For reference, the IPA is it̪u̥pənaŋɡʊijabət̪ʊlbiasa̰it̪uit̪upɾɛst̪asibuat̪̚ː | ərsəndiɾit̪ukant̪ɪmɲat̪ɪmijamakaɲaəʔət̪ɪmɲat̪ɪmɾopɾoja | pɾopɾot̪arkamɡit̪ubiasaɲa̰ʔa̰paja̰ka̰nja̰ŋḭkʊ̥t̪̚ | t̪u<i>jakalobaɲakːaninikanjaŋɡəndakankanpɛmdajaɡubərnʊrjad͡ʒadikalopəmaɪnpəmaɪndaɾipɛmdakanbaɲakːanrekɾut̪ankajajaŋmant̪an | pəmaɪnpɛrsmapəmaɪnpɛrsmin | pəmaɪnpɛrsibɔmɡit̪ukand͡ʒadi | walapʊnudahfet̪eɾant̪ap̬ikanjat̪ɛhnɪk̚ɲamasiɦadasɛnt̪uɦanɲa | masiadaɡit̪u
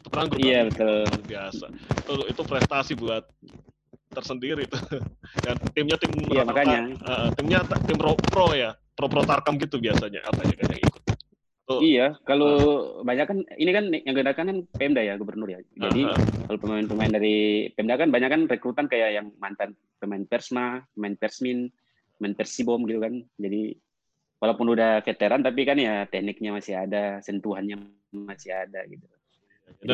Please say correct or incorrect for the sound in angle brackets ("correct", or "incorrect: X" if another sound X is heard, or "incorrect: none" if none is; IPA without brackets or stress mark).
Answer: correct